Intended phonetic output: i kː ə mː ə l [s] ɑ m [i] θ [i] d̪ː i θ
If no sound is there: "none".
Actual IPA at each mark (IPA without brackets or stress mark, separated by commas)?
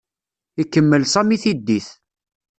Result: s, i, i